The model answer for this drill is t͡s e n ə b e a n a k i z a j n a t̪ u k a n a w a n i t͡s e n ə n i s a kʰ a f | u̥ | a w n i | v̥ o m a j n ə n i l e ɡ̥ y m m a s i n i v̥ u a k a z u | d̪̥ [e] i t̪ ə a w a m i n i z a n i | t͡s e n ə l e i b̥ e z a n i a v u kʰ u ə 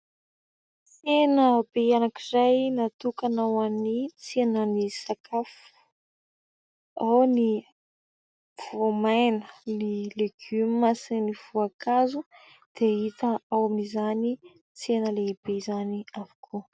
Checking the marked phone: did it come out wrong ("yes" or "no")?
no